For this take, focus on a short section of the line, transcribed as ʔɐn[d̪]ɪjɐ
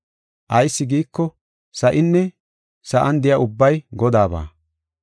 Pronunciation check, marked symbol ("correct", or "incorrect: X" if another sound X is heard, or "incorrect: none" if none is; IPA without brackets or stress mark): correct